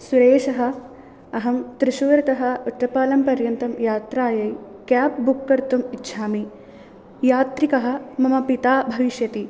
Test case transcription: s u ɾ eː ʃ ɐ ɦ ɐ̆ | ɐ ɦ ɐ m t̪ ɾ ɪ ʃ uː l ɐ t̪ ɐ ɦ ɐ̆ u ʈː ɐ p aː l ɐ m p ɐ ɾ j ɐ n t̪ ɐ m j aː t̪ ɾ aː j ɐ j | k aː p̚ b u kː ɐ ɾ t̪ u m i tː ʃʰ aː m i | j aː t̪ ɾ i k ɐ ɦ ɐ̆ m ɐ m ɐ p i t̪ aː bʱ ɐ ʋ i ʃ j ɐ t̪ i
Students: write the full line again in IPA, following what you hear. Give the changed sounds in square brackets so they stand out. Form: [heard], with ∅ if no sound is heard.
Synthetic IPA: s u ɾ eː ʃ ɐ ɦ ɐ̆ | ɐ ɦ ɐ m t̪ ɾ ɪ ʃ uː [ɾ] ɐ t̪ ɐ ɦ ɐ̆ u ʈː ɐ p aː l ɐ m p ɐ ɾ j ɐ n t̪ ɐ m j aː t̪ ɾ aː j ɐ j | k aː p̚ b u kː ɐ ɾ t̪ u m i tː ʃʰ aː m i | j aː t̪ ɾ i k ɐ ɦ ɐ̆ m ɐ m ɐ p i t̪ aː bʱ ɐ ʋ i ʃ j ɐ t̪ i